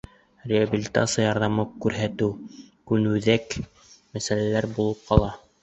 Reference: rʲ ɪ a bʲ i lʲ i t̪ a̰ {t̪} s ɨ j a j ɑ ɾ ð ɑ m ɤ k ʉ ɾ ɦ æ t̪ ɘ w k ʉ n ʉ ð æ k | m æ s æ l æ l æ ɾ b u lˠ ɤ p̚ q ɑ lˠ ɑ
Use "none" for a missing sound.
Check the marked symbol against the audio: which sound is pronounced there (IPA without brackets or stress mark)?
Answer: t̪